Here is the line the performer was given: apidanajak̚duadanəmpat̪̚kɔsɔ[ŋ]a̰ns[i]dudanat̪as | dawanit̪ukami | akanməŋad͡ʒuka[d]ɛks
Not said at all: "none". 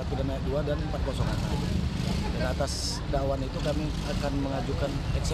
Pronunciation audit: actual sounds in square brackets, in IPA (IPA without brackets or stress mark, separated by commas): ŋ, a, n